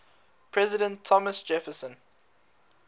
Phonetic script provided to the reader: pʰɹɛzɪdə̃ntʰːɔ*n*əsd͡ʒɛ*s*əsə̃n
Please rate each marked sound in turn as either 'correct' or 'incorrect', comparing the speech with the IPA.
incorrect, incorrect

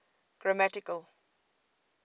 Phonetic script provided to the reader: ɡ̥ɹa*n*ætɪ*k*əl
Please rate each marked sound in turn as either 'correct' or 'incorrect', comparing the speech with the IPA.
incorrect, correct

